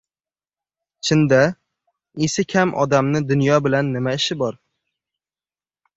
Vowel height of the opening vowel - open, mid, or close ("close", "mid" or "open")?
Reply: close